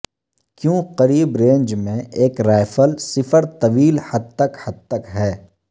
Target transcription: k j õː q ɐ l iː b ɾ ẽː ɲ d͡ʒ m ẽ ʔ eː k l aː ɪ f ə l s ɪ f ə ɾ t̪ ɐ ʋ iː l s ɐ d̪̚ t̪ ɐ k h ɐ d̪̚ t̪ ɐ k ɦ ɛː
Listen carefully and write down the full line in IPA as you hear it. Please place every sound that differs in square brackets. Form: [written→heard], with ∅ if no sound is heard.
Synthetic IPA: k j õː q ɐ [l→ɾ] iː b ɾ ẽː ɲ d͡ʒ m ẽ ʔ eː k [l→ɾ] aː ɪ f ə l s ɪ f ə ɾ t̪ ɐ ʋ iː l [s→h] ɐ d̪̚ t̪ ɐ k h ɐ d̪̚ t̪ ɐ k ɦ ɛː